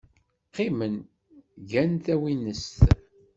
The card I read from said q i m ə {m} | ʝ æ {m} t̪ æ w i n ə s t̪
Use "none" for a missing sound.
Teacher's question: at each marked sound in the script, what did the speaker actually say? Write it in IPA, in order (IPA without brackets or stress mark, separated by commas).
n, n